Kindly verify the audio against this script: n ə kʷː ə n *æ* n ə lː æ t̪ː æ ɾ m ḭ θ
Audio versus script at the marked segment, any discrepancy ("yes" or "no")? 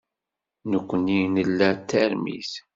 yes